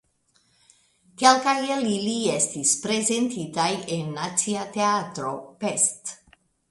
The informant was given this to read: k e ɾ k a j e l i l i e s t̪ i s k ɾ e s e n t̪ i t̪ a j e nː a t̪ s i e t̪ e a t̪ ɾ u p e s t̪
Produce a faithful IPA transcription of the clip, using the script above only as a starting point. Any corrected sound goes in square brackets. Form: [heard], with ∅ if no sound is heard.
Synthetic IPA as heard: k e [l] k a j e l i l i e s t̪ i s [p] ɾ e [z] e n t̪ i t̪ a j e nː a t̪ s i [a] t̪ e a t̪ ɾ [o] p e s t̪